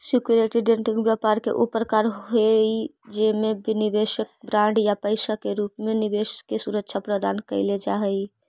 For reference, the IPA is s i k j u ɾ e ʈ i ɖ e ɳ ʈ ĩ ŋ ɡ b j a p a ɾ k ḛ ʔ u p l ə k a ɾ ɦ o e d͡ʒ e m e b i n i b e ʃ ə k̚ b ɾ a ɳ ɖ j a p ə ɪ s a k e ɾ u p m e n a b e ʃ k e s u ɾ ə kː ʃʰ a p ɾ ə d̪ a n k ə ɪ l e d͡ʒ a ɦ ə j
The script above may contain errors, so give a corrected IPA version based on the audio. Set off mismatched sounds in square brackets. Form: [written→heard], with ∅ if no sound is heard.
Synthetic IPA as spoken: s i k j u ɾ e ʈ i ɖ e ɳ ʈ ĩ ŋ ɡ b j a p a ɾ k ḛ ʔ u p [l→ɾ] ə k a ɾ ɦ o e d͡ʒ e m e b i n i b e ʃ ə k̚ b ɾ a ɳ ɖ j a p ə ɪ s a k e ɾ u p m e n [a→i] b e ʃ k e s u ɾ ə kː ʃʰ a p ɾ ə d̪ a n k ə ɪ l e d͡ʒ a ɦ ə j

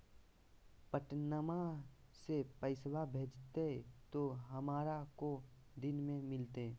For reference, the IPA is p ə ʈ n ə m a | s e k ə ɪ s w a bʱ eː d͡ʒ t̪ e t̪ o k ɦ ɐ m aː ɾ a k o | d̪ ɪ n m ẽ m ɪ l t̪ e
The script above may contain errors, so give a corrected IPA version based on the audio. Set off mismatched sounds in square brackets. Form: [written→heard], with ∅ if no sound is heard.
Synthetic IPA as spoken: p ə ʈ n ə m a | s e [k→p] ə ɪ s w a bʱ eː d͡ʒ t̪ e t̪ o [k→∅] ɦ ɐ m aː ɾ a k o | d̪ ɪ n m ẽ m ɪ l t̪ e

